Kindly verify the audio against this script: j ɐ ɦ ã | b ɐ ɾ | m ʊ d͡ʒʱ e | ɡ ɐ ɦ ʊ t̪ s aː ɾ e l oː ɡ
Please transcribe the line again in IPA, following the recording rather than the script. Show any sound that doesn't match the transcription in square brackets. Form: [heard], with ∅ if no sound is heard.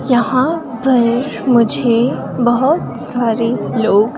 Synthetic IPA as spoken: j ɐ ɦ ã | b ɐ ɾ | m ʊ d͡ʒʱ e | [b] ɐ ɦ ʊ t̪ s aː ɾ e l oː ɡ